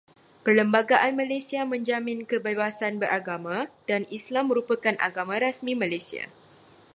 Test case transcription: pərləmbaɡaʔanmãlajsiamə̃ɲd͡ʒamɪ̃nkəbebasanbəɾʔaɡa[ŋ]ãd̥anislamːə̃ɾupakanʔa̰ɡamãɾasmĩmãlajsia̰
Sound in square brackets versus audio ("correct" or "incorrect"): incorrect